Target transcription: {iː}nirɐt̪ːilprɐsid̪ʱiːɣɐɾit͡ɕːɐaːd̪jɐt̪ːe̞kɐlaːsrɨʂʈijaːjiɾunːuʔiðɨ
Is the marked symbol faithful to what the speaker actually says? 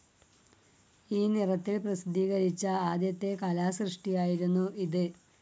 yes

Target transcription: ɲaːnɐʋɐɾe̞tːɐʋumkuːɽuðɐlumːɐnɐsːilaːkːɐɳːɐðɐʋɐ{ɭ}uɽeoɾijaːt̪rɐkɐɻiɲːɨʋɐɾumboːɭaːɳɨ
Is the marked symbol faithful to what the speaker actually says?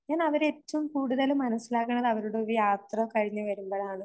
no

